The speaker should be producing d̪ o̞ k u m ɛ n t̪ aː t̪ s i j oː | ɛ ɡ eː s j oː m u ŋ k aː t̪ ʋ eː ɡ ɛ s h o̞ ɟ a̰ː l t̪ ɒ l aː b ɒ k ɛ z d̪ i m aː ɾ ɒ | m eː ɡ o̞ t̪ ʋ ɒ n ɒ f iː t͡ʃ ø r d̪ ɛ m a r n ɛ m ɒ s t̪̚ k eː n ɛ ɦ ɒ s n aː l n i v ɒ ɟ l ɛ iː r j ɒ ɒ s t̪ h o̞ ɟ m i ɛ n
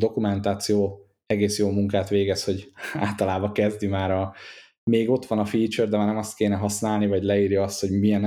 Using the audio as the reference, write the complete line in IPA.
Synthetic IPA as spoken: d̪ o̞ k u m ɛ n t̪ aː t̪ s i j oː | ɛ ɡ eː s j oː m u ŋ k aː t̪ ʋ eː ɡ ɛ s h o̞ ɟ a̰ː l t̪ ɒ l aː b ɒ k ɛ z d̪ i m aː ɾ ɒ | m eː ɡ o̞ t̪ ʋ ɒ n ɒ f iː t͡ʃ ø r d̪ ɛ m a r n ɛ m ɒ s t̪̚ k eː n ɛ ɦ ɒ s n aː l n i v ɒ ɟ l ɛ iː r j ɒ ɒ s t̪ h o̞ ɟ m i ɛ n